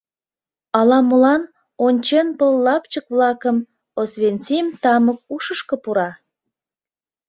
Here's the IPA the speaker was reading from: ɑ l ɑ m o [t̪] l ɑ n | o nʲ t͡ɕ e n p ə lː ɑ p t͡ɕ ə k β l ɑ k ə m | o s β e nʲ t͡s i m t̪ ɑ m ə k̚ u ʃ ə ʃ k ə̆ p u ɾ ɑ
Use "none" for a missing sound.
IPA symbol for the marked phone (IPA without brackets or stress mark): none